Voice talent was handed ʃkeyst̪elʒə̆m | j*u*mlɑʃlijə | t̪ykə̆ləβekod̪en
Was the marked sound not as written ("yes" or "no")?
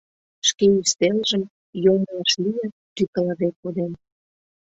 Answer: yes